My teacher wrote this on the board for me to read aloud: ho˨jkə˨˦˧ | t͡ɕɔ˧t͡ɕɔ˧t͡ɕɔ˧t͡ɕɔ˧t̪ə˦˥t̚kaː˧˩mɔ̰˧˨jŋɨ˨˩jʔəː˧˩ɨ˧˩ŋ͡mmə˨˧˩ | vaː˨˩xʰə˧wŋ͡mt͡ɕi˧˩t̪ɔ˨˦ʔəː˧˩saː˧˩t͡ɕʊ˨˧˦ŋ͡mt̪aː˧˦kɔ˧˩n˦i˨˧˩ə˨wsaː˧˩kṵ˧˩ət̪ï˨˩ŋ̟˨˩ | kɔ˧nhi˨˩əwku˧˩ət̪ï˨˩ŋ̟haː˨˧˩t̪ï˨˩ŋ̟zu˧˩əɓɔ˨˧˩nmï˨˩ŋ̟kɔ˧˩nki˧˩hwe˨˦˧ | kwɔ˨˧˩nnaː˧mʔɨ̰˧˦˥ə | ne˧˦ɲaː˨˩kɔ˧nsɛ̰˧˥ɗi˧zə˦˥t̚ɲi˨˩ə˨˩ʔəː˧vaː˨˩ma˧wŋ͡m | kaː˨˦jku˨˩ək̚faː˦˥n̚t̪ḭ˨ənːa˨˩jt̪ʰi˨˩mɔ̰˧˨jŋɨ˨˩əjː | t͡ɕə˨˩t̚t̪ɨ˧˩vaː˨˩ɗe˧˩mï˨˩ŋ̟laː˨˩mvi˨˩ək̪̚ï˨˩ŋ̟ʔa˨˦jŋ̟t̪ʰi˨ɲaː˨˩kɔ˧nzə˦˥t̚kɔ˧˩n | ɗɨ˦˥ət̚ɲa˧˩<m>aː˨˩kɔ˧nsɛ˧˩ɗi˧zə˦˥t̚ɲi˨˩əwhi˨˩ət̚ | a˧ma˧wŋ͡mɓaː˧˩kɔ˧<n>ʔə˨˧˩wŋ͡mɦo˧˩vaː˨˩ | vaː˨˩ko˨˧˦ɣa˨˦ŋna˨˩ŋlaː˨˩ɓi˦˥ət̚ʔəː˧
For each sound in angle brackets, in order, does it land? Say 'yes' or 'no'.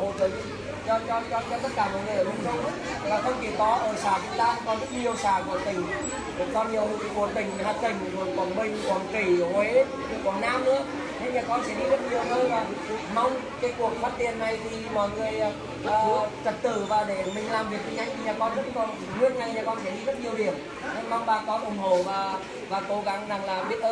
no, yes

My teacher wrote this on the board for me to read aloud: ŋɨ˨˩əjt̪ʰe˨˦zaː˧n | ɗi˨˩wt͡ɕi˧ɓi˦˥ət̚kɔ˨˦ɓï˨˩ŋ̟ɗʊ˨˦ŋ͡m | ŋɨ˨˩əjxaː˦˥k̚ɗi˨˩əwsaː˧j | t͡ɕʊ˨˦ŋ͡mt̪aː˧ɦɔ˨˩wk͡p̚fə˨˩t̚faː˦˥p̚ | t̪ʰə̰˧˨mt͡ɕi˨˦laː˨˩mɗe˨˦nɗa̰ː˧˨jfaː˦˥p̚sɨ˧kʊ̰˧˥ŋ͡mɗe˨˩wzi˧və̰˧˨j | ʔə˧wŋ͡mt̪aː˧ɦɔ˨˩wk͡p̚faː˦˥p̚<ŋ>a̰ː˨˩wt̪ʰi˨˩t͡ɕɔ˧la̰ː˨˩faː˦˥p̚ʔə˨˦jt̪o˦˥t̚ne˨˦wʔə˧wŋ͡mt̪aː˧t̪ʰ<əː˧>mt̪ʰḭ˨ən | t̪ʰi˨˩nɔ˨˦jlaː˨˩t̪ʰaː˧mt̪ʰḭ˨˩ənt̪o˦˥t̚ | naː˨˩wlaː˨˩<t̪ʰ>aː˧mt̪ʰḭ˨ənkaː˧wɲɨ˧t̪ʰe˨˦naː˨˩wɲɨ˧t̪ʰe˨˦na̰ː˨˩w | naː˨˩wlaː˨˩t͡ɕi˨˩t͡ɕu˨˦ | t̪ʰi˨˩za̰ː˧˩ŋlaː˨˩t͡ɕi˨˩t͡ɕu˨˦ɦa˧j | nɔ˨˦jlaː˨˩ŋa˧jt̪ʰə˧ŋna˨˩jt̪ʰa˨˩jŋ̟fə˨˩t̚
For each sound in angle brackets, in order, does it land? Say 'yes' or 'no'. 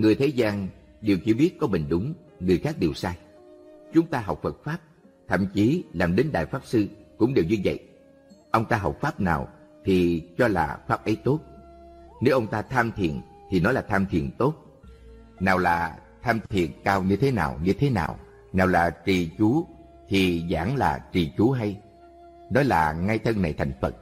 no, no, yes

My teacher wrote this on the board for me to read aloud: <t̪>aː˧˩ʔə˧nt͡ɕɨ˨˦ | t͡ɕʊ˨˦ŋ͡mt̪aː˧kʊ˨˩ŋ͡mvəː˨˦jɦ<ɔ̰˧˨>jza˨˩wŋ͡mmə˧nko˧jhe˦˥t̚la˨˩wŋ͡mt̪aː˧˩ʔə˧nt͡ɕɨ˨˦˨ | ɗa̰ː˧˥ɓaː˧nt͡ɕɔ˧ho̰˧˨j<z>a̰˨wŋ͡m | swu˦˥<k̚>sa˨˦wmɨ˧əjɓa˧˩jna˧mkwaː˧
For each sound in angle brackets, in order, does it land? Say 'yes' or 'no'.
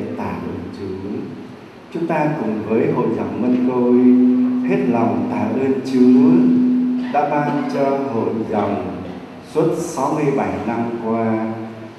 yes, no, yes, no

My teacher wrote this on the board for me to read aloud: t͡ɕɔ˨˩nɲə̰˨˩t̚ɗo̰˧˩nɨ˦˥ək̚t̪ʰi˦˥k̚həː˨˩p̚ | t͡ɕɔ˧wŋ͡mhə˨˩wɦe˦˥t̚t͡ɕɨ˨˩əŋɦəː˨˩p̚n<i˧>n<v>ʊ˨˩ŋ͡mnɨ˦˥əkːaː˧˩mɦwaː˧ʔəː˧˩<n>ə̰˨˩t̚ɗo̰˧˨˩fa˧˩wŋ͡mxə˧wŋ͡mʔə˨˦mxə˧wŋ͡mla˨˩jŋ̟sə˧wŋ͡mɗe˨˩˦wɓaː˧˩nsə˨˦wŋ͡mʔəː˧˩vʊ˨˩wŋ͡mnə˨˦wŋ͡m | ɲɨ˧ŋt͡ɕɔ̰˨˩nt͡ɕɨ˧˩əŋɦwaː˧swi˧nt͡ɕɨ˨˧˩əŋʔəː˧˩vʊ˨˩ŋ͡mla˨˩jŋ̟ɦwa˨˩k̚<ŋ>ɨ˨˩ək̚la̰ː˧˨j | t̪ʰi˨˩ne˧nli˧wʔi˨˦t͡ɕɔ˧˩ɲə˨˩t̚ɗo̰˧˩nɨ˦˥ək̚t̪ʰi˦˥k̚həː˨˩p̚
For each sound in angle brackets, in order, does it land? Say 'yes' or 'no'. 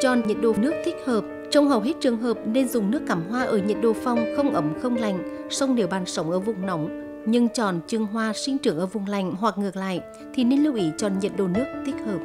no, no, no, yes

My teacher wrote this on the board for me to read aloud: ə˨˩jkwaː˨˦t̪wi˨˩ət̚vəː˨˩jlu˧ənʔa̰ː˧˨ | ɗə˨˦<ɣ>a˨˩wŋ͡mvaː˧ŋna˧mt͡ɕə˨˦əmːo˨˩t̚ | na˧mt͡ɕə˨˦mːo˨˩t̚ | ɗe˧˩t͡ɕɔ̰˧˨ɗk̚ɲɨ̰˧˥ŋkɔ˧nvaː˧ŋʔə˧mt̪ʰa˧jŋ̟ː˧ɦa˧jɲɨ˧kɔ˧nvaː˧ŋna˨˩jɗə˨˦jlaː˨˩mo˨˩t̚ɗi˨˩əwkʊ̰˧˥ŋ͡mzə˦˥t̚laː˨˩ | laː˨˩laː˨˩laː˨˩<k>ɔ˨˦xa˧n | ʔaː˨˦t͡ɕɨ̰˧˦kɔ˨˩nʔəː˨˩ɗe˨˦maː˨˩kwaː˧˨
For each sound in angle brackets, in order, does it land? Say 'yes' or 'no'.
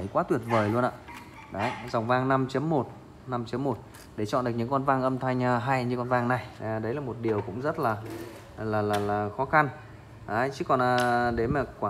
no, no

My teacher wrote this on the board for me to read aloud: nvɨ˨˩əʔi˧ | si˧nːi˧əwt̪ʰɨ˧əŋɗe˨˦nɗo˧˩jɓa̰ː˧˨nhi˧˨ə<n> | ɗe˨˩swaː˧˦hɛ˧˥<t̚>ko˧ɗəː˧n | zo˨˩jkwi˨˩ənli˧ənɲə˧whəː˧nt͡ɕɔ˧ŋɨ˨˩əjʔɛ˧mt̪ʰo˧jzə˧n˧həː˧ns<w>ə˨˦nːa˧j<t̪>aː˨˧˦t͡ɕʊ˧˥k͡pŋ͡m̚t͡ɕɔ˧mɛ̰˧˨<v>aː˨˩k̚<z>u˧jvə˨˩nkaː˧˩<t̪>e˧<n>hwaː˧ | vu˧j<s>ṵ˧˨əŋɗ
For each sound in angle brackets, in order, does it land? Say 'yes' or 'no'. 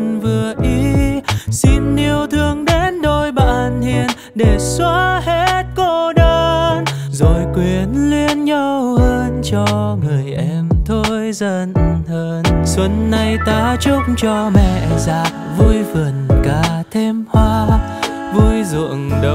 yes, yes, yes, yes, no, no, no, no, no

